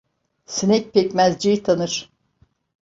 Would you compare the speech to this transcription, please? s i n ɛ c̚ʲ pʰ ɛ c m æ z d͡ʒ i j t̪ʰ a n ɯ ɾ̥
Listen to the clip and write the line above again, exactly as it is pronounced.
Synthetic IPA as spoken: s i n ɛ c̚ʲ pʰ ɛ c m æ z d͡ʒ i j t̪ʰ a n ɯ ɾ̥